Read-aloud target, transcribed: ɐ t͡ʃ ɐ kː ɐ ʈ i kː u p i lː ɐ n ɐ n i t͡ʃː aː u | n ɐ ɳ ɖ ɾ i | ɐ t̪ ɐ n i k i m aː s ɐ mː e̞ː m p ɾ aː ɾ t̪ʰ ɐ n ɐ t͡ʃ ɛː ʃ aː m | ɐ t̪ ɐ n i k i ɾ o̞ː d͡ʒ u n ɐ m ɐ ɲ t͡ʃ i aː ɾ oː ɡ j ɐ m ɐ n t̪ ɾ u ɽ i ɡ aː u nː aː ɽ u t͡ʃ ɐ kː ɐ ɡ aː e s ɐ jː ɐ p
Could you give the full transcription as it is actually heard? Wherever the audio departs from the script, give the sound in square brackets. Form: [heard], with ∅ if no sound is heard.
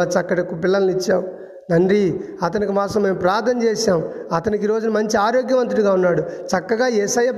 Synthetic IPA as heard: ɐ t͡ʃ ɐ kː ɐ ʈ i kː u p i lː ɐ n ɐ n i t͡ʃː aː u | n ɐ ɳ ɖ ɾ i | ɐ t̪ ɐ n i k i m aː s ɐ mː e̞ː m p ɾ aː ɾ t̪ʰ ɐ n ɐ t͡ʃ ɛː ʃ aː m | ɐ t̪ ɐ n i k i ɾ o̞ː d͡ʒ u n ɐ m ɐ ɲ t͡ʃ i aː ɾ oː ɡ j ɐ m ɐ n t̪ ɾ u ɽ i ɡ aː u nː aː ɽ u t͡ʃ ɐ kː ɐ ɡ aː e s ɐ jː ɐ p